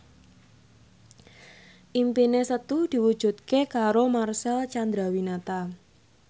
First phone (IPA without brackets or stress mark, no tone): ʔ